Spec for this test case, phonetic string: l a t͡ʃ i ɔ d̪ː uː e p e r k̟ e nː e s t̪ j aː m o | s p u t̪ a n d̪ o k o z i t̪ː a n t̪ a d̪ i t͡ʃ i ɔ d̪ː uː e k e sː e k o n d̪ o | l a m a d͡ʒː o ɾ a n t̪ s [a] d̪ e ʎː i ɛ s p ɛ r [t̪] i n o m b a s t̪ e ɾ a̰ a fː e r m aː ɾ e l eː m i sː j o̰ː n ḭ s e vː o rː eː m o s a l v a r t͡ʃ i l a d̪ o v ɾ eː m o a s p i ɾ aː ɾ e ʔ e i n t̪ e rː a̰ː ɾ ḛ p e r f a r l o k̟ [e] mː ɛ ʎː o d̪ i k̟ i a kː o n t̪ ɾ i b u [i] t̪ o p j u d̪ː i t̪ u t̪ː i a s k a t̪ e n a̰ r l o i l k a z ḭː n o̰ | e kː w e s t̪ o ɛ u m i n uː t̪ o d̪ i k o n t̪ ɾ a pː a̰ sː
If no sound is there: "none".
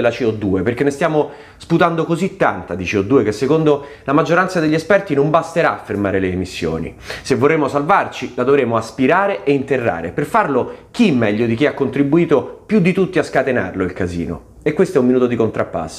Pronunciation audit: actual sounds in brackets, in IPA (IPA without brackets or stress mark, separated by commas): a, t̪, i, iː